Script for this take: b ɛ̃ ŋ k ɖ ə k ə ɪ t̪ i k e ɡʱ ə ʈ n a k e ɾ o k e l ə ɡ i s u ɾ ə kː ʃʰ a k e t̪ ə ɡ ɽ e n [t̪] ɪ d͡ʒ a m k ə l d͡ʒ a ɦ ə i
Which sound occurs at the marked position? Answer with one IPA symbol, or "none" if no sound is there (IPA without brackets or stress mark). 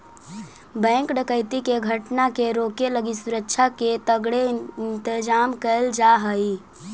t̪